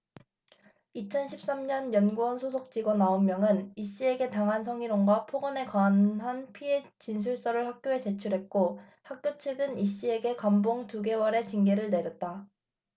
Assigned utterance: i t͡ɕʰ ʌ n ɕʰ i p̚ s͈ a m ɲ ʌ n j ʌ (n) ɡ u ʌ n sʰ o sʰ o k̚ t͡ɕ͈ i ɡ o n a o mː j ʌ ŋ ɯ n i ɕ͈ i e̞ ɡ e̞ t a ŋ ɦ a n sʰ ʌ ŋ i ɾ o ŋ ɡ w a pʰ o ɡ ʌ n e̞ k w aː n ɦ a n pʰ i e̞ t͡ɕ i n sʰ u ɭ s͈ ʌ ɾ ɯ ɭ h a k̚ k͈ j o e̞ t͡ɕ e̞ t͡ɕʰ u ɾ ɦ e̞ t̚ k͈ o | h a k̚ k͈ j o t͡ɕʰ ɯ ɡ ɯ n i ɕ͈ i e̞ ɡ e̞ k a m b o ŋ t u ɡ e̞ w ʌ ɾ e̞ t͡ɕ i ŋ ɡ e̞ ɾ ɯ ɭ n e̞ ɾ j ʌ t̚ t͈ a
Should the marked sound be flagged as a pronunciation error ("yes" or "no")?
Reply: no